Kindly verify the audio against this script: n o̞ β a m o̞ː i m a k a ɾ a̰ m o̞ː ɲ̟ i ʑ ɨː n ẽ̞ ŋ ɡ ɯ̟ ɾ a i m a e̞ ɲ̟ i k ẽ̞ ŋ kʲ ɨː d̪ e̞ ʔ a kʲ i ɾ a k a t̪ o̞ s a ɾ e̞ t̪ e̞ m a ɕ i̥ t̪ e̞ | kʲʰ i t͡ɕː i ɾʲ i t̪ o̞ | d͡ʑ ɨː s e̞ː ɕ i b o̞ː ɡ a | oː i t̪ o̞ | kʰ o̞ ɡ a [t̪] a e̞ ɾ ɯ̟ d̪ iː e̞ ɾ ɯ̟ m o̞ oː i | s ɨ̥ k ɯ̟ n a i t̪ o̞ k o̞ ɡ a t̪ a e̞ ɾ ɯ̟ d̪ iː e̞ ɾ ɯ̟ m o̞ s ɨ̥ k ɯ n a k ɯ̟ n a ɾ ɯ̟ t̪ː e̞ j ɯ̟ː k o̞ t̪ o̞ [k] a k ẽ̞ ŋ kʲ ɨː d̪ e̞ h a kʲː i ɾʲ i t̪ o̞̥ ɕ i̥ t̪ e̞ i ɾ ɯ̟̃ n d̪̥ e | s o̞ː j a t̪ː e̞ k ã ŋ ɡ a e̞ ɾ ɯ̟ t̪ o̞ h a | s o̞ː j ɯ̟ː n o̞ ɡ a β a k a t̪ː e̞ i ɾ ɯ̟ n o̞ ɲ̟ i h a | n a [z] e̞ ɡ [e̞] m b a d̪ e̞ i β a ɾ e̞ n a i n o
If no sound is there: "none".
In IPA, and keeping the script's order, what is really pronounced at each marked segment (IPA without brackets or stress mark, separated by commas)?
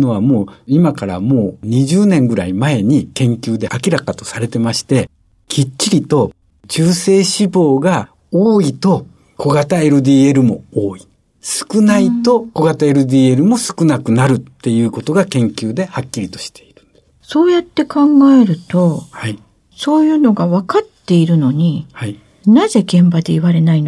t̪, ɡ, z, ẽ̞